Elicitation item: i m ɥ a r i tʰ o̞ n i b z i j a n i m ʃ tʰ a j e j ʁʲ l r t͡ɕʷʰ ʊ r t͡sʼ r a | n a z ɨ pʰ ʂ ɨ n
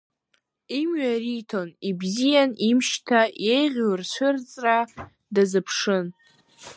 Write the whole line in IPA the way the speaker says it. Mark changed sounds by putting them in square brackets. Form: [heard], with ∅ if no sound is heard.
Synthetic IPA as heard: i m ɥ a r i tʰ o̞ n i b z i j a n i m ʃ tʰ a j e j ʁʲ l r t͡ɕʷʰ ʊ r t͡sʼ r a | [d] a z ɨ pʰ ʂ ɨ n